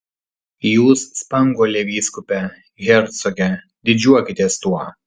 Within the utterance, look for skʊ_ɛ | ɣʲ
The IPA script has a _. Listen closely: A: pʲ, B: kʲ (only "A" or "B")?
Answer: A